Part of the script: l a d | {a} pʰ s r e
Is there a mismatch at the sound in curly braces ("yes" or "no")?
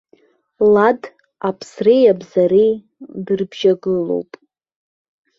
no